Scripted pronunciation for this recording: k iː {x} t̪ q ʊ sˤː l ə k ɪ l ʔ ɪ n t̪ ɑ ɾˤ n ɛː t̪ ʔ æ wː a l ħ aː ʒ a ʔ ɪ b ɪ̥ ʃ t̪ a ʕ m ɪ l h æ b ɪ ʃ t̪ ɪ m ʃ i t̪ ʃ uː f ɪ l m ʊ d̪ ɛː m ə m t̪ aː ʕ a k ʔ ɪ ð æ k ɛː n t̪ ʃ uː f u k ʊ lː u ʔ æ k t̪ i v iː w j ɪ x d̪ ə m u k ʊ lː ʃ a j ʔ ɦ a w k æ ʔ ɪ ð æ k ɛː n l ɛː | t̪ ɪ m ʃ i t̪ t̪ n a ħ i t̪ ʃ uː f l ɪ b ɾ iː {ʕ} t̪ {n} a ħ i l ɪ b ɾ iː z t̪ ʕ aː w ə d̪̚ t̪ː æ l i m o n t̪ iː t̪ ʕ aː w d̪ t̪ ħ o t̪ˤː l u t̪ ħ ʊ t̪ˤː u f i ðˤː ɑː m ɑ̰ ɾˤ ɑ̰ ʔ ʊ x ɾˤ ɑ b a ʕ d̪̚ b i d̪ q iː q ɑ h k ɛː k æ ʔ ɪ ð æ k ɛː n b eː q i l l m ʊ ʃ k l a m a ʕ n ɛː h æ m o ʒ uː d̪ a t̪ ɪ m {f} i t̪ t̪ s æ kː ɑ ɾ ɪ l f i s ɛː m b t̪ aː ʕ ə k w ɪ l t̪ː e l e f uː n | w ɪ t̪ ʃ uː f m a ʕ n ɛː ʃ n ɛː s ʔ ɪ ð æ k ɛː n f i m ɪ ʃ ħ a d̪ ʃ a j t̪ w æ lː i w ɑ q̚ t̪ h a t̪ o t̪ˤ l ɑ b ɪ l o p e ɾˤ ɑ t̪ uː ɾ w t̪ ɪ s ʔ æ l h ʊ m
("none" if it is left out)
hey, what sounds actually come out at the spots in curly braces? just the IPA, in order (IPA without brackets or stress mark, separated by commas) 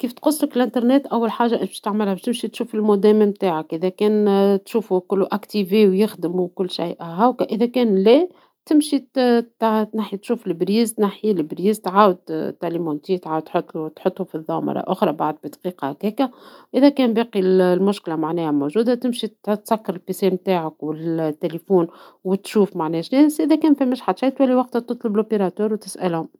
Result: f, z, n, ʃ